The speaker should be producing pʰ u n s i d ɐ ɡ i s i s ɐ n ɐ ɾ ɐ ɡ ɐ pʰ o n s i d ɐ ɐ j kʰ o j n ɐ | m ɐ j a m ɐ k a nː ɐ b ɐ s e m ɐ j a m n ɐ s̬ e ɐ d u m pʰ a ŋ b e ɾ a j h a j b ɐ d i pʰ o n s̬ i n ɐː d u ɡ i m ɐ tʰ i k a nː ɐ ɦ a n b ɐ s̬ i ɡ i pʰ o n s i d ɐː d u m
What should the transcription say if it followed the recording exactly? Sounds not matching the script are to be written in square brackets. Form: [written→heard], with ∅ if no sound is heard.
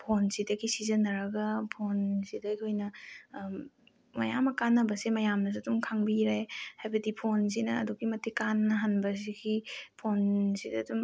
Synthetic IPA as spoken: pʰ [u→o] n s i d ɐ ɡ i s i [s→z] ɐ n ɐ ɾ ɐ ɡ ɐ pʰ o n s i d ɐ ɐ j kʰ o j n ɐ | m ɐ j a m ɐ k a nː ɐ b ɐ s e m ɐ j a m n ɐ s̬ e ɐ d u m [pʰ→kʰ] a ŋ b [e→i] ɾ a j h a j b ɐ d i pʰ o n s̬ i n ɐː d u ɡ i m ɐ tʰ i k a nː ɐ ɦ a n b ɐ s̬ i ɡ i pʰ o n s i d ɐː d u m